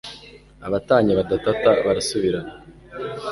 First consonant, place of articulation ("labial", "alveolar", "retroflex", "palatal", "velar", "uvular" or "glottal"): labial